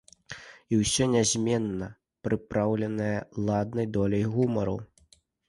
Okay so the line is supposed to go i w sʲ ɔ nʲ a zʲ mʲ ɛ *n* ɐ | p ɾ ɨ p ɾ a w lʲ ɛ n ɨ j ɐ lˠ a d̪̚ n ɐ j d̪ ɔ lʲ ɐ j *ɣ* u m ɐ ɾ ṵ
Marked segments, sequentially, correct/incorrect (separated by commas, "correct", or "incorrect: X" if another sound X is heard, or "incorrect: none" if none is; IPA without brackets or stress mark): incorrect: nː, correct